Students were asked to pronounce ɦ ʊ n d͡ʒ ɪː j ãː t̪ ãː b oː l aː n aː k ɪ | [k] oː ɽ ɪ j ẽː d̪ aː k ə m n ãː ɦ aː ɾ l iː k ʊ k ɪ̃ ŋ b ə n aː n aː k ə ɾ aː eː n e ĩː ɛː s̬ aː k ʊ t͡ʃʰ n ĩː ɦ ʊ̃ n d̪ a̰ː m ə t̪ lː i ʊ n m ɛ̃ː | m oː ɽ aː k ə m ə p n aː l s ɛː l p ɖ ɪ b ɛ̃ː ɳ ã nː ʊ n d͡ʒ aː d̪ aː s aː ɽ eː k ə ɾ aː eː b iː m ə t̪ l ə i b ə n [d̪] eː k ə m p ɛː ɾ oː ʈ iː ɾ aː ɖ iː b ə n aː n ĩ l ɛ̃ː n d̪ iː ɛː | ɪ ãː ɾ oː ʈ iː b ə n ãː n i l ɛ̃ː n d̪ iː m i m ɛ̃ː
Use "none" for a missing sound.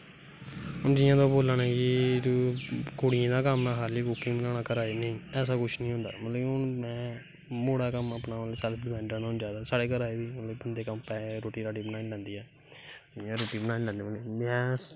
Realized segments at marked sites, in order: k, d̪

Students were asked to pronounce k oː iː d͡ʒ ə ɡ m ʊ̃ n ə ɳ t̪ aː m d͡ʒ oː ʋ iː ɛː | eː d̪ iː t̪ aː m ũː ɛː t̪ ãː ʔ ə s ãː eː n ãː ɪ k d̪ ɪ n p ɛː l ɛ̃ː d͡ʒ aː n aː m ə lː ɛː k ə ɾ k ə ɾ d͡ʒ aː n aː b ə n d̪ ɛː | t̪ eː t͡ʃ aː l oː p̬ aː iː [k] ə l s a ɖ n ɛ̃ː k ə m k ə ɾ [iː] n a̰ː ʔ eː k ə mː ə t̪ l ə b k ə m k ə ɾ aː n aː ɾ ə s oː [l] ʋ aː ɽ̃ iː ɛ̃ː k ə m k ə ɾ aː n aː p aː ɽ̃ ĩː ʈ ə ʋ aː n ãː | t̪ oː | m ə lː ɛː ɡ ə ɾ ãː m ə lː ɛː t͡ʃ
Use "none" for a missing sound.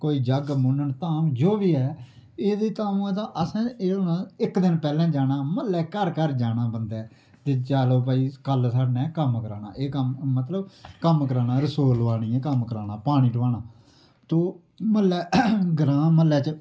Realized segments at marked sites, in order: k, aː, l

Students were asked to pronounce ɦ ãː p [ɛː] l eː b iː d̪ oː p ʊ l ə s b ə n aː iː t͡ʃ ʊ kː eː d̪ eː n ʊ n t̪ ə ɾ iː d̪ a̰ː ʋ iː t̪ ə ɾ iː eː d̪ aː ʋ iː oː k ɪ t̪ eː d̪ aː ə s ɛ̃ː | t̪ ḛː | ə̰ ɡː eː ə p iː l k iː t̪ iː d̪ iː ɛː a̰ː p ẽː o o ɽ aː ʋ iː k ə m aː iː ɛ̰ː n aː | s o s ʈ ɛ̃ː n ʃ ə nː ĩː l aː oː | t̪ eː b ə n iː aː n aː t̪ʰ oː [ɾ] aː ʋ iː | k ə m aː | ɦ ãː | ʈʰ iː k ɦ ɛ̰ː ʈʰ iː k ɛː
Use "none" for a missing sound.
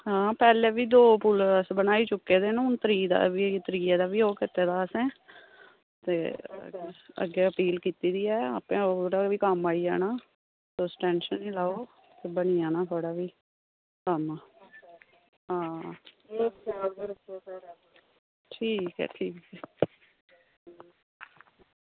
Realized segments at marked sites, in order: ɛː, ɽ

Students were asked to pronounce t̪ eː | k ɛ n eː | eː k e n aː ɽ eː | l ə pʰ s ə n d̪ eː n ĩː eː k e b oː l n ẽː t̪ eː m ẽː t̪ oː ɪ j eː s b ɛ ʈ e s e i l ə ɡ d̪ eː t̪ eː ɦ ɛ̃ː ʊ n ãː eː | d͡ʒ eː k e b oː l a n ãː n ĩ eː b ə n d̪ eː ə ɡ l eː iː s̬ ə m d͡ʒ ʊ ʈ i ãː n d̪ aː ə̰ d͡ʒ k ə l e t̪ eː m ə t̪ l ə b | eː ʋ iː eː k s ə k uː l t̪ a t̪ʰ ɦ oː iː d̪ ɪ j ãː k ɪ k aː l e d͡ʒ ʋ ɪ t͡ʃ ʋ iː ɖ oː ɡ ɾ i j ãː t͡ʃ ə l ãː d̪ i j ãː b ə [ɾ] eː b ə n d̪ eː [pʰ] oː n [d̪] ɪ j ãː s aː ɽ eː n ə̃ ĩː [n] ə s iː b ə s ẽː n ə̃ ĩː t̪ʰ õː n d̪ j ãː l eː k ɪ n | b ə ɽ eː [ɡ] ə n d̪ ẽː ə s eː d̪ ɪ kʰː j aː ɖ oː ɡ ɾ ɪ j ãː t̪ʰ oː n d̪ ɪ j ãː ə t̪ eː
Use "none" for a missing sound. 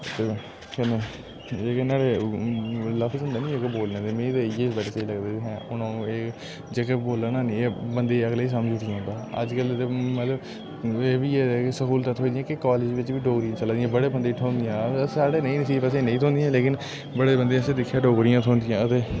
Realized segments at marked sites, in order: ɽ, ʈʰ, d̪, n, b

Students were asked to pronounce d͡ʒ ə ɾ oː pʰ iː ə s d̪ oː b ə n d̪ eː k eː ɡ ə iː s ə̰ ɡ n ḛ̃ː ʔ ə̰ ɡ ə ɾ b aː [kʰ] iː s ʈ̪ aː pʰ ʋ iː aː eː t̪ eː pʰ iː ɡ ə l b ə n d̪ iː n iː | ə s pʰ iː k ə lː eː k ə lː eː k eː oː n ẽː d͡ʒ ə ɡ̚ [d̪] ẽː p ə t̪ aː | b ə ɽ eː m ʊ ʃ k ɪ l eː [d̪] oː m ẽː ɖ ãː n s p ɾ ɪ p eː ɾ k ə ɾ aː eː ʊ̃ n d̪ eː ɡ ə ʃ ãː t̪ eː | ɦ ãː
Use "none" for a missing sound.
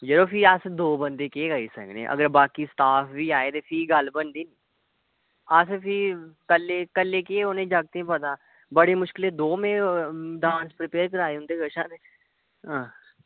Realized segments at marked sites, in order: k, t̪, d̪

